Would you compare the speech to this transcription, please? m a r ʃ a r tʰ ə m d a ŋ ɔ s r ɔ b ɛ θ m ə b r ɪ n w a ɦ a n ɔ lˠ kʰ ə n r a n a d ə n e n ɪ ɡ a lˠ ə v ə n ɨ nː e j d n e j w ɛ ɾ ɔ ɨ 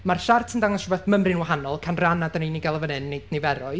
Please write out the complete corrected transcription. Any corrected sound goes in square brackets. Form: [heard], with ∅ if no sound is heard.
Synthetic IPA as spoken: m a r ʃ a r tʰ ə [n] d a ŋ ɔ s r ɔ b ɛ θ m ə [m] r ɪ n w a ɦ a n ɔ lˠ kʰ [a] n r a n a d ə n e n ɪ ɡ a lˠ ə v ə n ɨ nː e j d n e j [v] ɛ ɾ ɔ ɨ

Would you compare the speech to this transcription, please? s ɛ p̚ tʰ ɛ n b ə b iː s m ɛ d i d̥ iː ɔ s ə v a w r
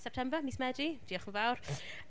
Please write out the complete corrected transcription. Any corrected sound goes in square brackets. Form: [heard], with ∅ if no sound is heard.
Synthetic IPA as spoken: s ɛ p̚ tʰ ɛ [m] b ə [m] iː s m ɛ d i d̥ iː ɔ [χ] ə v a w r

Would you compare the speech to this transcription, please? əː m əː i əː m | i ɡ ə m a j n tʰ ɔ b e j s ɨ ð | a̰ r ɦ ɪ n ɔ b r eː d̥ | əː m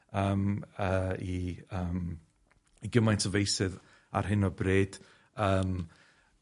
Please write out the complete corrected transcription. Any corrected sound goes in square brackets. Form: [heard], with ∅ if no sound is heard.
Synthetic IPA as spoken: əː m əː i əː m | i ɡ ə m a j n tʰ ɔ [v] e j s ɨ ð | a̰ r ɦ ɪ n ɔ b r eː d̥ | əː m

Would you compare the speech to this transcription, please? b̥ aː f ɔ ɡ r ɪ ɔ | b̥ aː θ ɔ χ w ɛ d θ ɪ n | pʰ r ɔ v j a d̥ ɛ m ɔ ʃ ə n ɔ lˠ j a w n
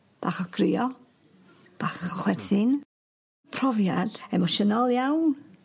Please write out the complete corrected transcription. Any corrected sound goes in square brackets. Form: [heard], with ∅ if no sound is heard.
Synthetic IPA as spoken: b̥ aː [χ] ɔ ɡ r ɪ ɔ | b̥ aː [χ] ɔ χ w ɛ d θ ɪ n | pʰ r ɔ v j a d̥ ɛ m ɔ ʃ ə n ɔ lˠ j a w n

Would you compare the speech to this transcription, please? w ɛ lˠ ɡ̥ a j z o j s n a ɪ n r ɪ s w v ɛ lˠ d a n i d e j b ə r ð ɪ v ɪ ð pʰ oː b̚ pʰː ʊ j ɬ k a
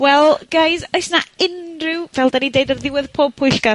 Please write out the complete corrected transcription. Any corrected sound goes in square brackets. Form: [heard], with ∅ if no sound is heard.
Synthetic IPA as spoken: w ɛ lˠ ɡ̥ a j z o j s n a ɪ n r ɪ [∅] w v ɛ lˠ d a n i d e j [d] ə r ð ɪ [w] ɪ ð pʰ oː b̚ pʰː ʊ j ɬ k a

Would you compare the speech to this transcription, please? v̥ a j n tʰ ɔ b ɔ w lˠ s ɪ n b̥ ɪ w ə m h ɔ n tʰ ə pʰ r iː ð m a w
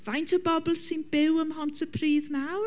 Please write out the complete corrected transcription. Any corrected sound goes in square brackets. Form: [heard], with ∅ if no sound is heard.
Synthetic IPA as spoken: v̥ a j n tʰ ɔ b ɔ [b] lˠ s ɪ n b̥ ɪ w ə m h ɔ n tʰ ə pʰ r iː ð [n] a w

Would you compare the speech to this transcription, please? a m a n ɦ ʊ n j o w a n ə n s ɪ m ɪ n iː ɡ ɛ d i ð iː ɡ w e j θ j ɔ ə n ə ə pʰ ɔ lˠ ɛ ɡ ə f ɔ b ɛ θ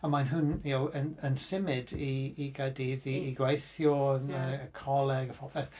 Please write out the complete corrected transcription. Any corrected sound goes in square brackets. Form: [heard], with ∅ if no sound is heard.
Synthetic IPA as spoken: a m a n ɦ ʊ n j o w [ə] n ə n s ɪ m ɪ [d] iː ɡ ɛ d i ð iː ɡ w e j θ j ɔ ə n ə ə [kʰ] ɔ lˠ ɛ ɡ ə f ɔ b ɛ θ

